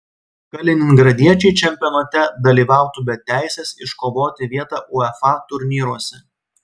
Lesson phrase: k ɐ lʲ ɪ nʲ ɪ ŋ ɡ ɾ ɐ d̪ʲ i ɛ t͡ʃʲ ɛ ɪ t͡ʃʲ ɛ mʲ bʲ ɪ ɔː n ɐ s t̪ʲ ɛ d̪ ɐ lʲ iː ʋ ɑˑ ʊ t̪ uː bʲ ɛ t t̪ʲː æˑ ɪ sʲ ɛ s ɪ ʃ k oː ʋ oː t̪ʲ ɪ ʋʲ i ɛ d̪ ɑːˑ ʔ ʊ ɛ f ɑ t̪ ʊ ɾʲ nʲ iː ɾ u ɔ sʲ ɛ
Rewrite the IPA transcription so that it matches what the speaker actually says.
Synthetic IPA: k ɐ lʲ ɪ nʲ ɪ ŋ ɡ ɾ ɐ d̪ʲ i ɛ t͡ʃʲ ɛ ɪ t͡ʃʲ ɛ mʲ pʲ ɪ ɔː n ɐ t̪ʲ ɛ d̪ ɐ lʲ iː ʋ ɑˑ ʊ t̪ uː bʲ ɛ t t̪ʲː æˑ ɪ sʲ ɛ s ɪ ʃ k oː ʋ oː t̪ʲ ɪ ʋʲ i ɛ t̪ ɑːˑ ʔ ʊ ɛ f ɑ t̪ ʊ ɾʲ nʲ iː ɾ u ɔ sʲ ɛ